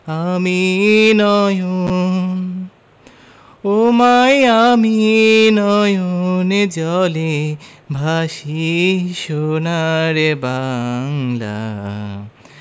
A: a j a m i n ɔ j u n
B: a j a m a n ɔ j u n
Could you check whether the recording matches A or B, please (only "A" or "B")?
A